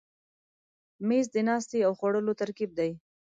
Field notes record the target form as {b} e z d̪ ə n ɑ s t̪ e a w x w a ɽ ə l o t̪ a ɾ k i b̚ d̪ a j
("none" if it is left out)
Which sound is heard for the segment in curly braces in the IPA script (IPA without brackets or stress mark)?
m